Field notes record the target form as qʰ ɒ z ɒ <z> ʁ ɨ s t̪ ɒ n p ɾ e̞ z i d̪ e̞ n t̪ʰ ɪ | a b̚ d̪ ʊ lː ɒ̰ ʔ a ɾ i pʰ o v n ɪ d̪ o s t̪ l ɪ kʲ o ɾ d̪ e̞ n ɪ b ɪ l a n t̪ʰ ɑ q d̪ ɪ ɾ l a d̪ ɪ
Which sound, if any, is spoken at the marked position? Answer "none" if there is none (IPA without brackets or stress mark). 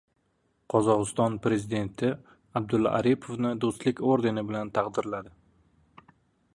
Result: none